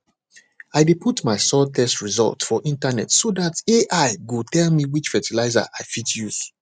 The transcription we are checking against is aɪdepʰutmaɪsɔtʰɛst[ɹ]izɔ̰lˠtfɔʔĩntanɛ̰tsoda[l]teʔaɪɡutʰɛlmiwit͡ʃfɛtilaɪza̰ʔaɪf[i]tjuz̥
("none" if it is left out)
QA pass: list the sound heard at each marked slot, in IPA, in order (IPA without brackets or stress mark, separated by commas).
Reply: ɹ, none, i